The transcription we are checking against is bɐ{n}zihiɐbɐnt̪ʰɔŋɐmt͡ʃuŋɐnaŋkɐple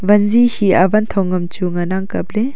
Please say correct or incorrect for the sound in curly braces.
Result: correct